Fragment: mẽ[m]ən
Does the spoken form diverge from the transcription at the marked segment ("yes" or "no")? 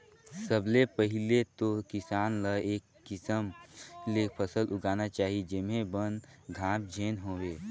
yes